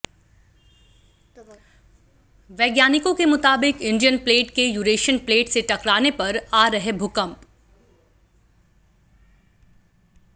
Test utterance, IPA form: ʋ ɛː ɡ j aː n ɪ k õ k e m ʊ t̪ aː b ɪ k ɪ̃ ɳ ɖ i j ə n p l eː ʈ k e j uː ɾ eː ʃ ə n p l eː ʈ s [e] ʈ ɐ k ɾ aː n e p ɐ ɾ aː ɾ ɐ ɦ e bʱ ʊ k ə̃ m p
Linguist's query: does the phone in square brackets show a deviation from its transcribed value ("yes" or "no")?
no